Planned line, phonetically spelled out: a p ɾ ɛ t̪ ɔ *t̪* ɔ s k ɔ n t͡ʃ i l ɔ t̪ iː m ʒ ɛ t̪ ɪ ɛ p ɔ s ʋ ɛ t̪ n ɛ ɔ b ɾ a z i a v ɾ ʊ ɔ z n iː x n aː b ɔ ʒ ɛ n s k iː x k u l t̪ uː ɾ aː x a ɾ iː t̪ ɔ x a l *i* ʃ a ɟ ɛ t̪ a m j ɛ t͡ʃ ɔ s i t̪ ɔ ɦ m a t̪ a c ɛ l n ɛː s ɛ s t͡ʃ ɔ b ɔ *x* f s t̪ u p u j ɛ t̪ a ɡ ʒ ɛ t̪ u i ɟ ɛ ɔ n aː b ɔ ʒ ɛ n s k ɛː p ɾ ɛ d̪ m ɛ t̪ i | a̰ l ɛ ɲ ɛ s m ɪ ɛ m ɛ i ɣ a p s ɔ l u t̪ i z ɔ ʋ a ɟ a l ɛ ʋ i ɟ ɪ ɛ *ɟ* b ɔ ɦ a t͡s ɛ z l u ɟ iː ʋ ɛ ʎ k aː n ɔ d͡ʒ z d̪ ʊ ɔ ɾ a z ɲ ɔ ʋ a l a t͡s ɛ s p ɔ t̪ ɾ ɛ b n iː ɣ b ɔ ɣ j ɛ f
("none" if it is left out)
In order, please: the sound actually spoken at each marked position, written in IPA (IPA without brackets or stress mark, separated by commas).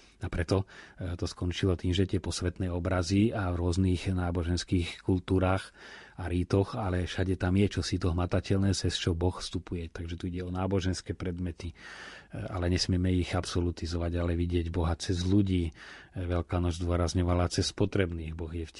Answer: t̪, ɛ, x, ɟ